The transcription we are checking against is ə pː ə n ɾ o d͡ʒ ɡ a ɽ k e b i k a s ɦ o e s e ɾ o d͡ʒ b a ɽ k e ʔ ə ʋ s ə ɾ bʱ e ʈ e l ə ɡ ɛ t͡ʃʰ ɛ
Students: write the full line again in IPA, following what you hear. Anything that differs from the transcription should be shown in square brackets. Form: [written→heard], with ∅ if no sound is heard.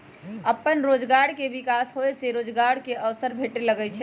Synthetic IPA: ə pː ə n ɾ o d͡ʒ ɡ a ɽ k e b i k a s ɦ o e s e ɾ o d͡ʒ [b→ɡ] a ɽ k e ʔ ə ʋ s ə ɾ bʱ e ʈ e l ə ɡ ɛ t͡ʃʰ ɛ